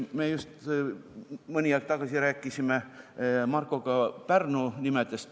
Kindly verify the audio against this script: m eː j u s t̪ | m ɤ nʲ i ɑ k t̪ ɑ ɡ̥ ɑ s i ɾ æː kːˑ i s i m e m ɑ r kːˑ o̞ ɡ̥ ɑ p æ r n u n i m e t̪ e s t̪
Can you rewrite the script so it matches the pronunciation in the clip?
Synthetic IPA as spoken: m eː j u s t̪ | m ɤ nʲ i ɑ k t̪ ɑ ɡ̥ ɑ s i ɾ æː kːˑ i s i m e m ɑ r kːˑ o̞ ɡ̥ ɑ p æ r n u n i m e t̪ e s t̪